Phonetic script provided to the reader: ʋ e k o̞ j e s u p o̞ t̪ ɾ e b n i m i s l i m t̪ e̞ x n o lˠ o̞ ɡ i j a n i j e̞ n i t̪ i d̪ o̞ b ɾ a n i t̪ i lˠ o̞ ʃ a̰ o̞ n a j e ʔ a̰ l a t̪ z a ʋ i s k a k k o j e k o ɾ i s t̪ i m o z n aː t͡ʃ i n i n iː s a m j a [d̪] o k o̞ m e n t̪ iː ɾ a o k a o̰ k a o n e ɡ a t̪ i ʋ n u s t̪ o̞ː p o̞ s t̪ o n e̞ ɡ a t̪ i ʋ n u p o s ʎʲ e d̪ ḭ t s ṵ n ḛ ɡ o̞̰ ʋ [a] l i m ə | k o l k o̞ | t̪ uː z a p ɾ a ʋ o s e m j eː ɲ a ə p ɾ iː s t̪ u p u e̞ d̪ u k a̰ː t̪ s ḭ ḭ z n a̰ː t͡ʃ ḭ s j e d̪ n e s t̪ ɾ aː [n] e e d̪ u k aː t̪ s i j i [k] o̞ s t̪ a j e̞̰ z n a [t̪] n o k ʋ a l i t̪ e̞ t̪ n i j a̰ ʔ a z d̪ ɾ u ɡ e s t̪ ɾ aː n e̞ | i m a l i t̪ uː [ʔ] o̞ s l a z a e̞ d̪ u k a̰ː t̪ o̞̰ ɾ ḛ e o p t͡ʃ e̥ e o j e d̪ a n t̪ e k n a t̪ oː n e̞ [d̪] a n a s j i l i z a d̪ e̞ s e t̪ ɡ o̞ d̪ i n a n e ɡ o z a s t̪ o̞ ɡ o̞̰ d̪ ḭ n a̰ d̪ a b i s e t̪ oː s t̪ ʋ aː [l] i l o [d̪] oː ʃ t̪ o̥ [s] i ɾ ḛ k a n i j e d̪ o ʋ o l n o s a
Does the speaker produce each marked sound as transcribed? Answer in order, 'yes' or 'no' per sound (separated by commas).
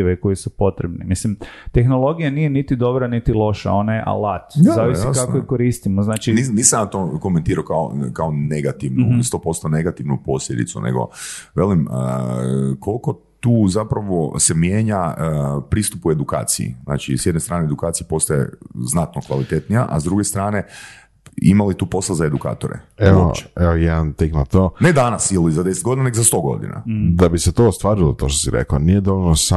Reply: no, no, yes, no, yes, no, yes, no, no, yes